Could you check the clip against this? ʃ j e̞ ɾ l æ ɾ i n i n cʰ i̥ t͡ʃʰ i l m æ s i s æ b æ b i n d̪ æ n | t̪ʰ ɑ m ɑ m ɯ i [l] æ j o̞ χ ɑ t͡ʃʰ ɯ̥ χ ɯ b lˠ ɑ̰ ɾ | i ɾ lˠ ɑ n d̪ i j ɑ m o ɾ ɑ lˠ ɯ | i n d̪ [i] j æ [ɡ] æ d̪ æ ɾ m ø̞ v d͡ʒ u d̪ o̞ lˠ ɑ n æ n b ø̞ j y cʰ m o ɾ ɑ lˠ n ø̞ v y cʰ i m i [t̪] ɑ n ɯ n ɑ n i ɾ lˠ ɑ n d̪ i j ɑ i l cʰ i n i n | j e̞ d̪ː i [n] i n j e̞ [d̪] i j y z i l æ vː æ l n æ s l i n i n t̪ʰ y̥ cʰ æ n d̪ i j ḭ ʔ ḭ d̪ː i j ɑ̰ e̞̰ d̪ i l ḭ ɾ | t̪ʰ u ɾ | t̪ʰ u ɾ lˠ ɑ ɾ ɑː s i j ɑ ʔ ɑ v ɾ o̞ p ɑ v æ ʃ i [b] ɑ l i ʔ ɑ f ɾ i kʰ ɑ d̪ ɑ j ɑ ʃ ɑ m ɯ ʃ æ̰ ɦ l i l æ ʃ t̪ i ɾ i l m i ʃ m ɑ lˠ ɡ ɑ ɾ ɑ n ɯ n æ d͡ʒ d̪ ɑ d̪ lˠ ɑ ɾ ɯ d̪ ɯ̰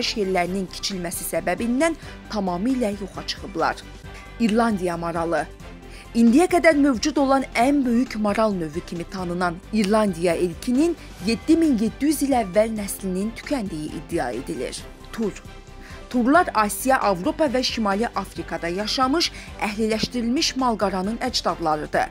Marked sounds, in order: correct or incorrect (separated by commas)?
correct, correct, correct, incorrect, incorrect, incorrect, incorrect